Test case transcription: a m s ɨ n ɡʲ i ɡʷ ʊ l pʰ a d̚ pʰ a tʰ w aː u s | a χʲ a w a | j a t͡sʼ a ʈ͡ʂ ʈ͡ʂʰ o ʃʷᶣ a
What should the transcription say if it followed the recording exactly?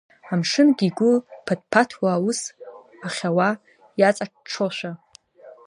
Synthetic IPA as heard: a m ʂ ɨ n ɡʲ i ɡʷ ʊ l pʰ a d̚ pʰ a tʰ w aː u s | a χʲ a w a | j a t͡sʼ a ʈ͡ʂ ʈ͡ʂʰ o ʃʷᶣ a